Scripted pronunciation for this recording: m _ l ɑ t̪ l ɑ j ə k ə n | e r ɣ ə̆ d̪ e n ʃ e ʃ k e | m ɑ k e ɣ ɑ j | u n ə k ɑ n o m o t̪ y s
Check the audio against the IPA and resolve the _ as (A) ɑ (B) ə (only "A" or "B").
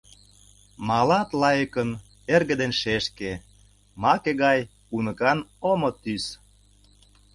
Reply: A